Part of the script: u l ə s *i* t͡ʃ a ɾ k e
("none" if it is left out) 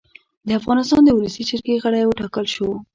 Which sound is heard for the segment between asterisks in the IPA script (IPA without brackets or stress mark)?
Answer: i